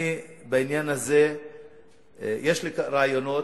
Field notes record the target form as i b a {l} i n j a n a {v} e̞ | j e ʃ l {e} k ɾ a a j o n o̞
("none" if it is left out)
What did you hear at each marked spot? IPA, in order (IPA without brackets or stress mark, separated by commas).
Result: none, z, i